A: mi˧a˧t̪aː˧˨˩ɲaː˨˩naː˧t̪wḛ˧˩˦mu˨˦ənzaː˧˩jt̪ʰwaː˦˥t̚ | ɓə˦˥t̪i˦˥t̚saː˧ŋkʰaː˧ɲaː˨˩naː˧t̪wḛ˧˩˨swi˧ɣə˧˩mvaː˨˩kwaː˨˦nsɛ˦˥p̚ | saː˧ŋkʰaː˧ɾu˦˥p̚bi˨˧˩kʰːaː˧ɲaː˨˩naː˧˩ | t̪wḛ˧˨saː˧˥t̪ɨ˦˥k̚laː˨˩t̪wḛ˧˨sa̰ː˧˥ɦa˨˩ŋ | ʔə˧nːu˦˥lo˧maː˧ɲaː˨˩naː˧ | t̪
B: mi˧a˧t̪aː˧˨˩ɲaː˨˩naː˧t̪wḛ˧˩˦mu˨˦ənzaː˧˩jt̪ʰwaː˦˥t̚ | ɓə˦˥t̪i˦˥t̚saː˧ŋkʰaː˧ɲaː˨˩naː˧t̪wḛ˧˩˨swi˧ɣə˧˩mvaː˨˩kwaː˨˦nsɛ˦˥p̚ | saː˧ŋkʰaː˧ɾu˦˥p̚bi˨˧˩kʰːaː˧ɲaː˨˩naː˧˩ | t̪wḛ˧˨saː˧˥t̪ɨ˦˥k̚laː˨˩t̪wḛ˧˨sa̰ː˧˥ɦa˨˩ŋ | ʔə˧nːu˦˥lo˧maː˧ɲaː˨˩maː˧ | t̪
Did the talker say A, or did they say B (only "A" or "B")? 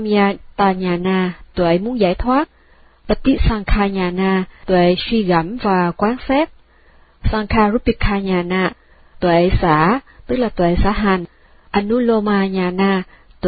A